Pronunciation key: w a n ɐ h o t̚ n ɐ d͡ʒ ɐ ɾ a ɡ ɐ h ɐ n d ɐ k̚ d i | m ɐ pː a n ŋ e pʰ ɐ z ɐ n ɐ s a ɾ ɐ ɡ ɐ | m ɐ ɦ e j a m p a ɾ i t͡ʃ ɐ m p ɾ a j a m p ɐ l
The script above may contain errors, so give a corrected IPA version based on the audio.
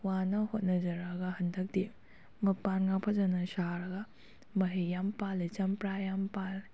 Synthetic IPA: w a n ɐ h o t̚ n ɐ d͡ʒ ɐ ɾ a ɡ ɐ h ɐ n d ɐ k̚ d i | m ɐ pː a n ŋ a pʰ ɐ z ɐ n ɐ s a ɾ ɐ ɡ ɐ | m ɐ ɦ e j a m p a l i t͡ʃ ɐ m p ɾ a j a m p a l